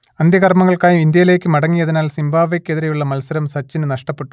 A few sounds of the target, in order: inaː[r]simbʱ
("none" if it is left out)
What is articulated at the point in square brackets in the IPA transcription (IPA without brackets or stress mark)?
l